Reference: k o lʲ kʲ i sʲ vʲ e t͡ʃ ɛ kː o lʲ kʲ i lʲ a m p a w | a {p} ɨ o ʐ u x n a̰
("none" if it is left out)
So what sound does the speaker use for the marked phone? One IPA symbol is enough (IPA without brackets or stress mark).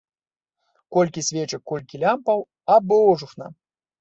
b